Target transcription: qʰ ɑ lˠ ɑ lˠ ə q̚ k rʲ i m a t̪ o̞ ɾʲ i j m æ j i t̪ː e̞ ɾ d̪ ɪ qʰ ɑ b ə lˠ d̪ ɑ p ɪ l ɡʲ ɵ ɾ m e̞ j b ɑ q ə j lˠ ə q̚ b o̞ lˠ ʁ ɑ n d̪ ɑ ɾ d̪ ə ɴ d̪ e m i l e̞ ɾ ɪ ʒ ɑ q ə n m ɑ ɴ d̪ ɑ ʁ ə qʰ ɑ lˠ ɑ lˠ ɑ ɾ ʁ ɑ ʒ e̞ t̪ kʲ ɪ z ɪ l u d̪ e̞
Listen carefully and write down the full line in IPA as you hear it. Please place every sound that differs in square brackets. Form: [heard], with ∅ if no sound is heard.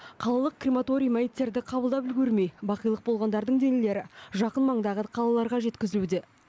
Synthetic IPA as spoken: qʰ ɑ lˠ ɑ lˠ ə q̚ k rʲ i m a t̪ o̞ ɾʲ i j m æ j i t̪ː e̞ ɾ d̪ ɪ qʰ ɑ b ə lˠ d̪ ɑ p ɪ l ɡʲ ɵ ɾ m e̞ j b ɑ q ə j lˠ ə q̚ b o̞ lˠ ʁ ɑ n d̪ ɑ ɾ d̪ ə ɴ d̪ e [n] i l e̞ ɾ ɪ ʒ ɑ q ə n m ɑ ɴ d̪ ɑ ʁ ə qʰ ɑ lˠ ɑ lˠ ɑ ɾ ʁ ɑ ʒ e̞ t̪ kʲ ɪ z ɪ l u d̪ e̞